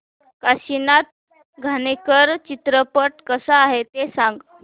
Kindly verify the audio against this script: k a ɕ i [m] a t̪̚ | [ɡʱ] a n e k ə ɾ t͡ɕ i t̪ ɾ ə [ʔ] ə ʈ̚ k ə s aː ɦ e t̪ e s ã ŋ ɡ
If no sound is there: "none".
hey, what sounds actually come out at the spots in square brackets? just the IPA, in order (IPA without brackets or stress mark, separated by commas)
n, ɡʱ, p